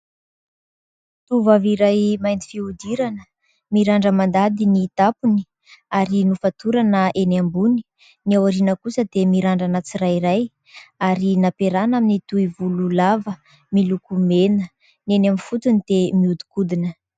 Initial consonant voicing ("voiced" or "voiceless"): voiceless